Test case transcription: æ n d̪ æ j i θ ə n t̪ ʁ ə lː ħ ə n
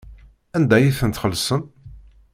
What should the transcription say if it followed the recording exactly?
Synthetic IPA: æ n d̪ æ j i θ ə n t̪ χ ə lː s ə n

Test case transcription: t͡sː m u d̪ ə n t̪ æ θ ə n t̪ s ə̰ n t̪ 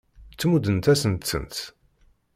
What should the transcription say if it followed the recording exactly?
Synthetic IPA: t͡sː m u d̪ ə n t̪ æ s ə n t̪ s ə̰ n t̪

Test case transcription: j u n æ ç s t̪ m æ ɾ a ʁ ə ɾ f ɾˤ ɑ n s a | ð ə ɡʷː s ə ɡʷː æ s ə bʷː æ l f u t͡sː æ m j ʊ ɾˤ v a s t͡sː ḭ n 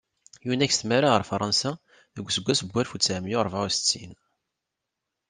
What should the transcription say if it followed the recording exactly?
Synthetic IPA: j u n æ ç s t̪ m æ ɾ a ʁ ə ɾ f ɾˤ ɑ n s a | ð ə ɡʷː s ə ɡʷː æ s ə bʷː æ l f u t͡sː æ m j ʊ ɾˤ v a s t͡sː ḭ n

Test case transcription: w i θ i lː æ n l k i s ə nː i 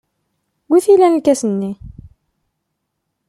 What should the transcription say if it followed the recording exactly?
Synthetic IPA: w i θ i l æ n l k æ s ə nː i

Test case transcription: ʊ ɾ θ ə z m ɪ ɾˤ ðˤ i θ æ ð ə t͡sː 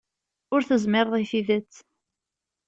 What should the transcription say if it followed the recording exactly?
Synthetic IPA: ʊ ɾ θ ə z m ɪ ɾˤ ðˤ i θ i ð ə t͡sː

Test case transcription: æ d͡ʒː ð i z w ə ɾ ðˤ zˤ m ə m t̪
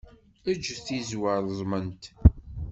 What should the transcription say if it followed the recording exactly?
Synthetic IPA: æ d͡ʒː θ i z w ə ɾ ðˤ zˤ m ə n t̪

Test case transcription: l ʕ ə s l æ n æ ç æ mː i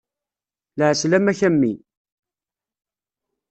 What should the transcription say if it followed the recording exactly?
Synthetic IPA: l ʕ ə s l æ m æ ç æ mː i

